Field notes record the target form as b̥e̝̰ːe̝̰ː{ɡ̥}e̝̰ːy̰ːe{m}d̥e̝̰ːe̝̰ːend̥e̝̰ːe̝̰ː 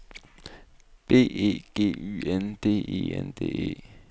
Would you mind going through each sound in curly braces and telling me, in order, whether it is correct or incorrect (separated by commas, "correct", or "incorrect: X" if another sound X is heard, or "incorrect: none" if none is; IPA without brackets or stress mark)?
correct, incorrect: n